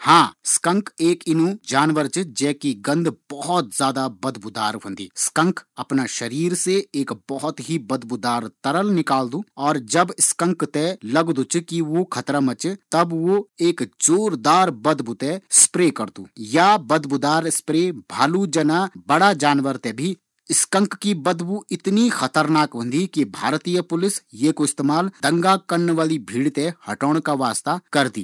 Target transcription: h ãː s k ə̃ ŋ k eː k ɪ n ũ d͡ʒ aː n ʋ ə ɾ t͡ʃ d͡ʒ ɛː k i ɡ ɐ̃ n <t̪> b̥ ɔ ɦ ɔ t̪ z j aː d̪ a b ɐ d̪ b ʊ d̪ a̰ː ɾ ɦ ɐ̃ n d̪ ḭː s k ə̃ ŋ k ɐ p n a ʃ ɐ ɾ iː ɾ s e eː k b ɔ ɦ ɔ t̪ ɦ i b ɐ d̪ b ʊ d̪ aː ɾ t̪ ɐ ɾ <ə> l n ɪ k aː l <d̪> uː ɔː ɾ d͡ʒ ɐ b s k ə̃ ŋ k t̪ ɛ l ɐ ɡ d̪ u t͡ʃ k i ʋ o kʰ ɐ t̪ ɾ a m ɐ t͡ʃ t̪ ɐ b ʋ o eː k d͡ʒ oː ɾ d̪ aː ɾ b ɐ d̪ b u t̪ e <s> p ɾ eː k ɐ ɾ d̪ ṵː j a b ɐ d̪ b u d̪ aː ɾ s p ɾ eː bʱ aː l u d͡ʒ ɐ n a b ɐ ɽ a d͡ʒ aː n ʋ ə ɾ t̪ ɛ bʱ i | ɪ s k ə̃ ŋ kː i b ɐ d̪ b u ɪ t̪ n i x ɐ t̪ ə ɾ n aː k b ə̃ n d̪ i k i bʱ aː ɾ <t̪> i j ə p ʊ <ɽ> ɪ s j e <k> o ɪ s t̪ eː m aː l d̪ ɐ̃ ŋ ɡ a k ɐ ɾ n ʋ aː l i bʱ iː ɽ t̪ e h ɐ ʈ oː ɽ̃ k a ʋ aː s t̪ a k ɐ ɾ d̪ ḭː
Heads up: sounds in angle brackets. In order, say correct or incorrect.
incorrect, correct, correct, correct, correct, incorrect, correct

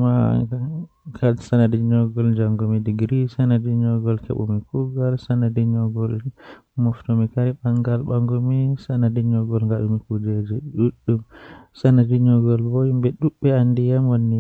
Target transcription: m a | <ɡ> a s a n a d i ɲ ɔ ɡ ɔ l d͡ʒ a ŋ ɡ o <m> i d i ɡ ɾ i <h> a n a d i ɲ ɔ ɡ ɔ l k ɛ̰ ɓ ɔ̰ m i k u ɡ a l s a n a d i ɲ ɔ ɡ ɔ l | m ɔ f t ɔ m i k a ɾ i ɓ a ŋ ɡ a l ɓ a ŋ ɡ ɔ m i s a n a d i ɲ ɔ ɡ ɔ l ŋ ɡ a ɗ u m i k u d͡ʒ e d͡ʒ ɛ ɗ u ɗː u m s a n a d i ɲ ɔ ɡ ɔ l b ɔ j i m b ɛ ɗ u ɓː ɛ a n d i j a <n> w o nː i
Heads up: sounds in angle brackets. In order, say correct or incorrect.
incorrect, correct, incorrect, incorrect

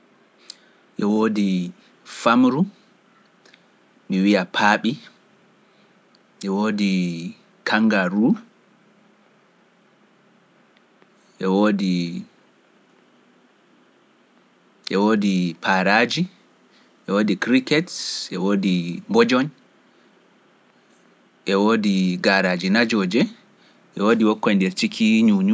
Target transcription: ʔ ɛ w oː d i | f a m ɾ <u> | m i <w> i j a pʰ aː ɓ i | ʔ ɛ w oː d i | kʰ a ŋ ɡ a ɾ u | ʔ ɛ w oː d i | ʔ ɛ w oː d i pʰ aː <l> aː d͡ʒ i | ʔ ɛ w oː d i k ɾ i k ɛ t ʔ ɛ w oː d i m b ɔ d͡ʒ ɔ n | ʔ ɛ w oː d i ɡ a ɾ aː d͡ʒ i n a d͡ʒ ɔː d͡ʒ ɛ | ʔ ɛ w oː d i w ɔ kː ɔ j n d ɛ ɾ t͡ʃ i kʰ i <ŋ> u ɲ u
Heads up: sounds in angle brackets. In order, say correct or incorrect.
correct, correct, incorrect, incorrect

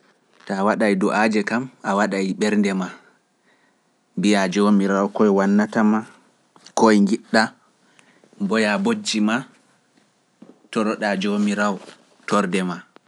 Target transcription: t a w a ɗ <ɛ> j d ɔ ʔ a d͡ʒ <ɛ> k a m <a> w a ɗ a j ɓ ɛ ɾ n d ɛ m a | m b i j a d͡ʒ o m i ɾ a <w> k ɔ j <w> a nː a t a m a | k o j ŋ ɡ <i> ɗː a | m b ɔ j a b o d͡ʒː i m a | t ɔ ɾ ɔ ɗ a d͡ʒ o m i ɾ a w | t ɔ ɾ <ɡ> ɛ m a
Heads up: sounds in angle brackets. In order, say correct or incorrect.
incorrect, correct, correct, correct, correct, correct, incorrect

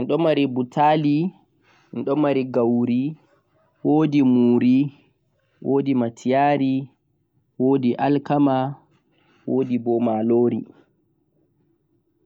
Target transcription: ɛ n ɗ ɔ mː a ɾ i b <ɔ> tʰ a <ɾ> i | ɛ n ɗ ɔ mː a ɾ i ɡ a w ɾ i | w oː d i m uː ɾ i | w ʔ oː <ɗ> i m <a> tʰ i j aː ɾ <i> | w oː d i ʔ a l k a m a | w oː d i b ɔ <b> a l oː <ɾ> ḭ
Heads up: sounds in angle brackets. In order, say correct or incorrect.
incorrect, incorrect, incorrect, correct, correct, incorrect, correct

